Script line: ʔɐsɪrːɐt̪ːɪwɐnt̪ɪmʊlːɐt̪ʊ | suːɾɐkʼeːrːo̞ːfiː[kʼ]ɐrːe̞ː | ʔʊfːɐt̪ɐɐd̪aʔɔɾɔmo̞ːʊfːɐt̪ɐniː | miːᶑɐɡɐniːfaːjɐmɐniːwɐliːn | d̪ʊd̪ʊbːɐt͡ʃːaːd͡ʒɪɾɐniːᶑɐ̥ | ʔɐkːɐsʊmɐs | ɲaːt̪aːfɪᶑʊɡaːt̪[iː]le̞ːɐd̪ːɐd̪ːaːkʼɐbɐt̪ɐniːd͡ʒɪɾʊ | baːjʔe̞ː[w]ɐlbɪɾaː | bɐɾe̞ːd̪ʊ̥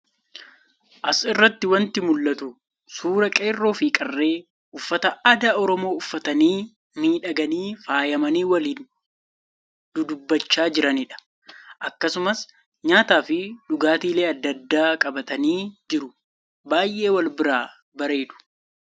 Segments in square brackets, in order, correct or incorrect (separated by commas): correct, correct, correct